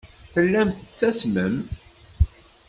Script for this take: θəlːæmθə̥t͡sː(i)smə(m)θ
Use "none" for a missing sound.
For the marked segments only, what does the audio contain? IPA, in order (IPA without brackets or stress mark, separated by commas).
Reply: æ, m